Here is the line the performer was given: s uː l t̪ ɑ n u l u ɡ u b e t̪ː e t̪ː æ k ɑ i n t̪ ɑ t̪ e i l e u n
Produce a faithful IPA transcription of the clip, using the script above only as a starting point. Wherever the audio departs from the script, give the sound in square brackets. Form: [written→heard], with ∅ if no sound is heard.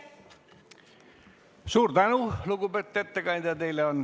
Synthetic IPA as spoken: s uː [l→r] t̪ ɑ n u l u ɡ u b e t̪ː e t̪ː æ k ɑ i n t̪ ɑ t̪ e i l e [u→o] n